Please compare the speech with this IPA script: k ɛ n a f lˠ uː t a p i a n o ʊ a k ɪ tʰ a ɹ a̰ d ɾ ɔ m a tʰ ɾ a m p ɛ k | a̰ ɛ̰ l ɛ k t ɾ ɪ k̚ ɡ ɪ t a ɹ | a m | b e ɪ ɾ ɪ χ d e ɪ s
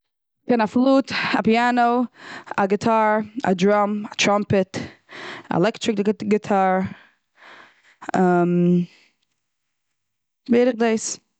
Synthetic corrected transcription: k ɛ n a f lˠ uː t a p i a n o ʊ a ɡ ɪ tʰ a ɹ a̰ d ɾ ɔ m a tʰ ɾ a m p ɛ t | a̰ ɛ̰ l ɛ k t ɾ ɪ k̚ ɡ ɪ tʰ a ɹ | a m | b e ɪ ɾ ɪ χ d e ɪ s